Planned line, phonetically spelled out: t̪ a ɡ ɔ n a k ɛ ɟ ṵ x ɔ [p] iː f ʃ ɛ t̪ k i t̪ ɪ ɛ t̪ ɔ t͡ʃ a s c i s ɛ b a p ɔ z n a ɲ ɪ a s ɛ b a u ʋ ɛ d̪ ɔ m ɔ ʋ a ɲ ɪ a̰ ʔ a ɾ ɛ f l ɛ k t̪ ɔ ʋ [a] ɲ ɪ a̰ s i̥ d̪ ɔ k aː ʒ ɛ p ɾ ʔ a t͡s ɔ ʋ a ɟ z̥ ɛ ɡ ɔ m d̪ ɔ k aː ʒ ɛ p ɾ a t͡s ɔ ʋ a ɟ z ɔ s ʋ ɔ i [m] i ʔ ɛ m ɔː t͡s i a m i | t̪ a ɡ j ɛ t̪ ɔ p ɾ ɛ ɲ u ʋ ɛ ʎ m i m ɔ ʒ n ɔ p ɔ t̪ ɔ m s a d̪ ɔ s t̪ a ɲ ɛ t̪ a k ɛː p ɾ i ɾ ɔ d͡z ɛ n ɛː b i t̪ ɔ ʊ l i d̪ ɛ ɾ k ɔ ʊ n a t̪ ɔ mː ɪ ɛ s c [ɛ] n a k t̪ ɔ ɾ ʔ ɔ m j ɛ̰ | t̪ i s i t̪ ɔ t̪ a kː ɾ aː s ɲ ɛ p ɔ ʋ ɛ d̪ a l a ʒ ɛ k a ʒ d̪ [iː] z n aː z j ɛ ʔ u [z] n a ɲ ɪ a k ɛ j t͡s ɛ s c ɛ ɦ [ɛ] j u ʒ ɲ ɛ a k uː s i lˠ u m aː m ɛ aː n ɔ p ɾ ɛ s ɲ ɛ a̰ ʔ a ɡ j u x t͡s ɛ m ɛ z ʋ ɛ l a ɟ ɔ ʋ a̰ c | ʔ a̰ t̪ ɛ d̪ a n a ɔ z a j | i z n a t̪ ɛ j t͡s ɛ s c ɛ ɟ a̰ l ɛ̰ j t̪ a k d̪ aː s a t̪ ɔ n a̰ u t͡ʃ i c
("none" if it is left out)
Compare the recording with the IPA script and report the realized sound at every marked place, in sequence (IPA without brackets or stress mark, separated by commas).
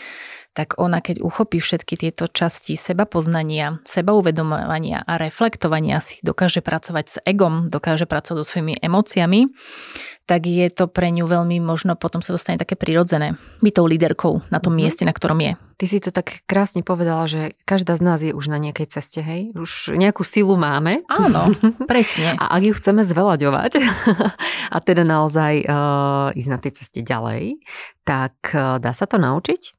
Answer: p, a, m, ɛ, aː, ʒ, ɛ